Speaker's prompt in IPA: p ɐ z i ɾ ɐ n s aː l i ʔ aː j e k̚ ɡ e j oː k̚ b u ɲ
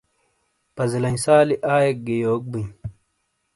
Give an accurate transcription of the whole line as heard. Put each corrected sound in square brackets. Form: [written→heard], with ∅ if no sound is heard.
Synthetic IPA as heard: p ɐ z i [ɾ→l] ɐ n s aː l i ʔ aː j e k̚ ɡ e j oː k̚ b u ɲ